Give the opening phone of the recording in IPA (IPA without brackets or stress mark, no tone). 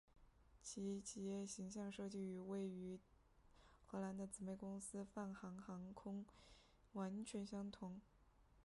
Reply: t͡ɕʰ